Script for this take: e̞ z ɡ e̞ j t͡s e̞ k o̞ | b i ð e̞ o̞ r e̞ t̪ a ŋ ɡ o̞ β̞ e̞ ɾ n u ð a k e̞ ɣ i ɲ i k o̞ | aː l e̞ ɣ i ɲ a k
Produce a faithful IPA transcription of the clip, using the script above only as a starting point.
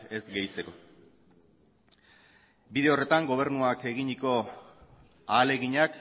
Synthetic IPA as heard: e̞ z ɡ e̞ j t͡s e̞ k o̞ | b i ð e̞ o̞ r e̞ t̪ a ŋ ɡ o̞ β̞ e̞ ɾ n u a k e̞ ɣ i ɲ i k o̞ | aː l e̞ ɣ i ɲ a k